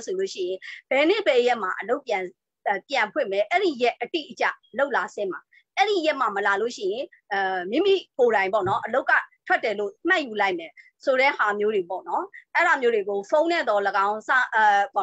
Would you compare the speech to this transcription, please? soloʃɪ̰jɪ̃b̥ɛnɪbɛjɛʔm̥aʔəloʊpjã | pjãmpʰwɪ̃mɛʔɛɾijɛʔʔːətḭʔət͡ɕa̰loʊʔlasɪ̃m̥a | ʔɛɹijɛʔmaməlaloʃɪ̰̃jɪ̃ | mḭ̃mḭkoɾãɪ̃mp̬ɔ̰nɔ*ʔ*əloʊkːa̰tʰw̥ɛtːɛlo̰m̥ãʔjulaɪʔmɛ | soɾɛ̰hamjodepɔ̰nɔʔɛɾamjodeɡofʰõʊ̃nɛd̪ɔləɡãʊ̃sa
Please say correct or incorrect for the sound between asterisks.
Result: correct